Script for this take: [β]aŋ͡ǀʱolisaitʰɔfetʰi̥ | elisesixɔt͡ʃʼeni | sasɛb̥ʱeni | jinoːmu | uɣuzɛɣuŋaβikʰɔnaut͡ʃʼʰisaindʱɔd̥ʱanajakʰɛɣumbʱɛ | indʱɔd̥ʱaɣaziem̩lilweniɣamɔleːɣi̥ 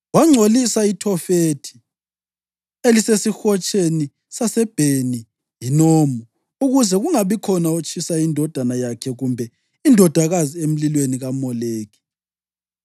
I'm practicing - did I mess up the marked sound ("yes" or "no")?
yes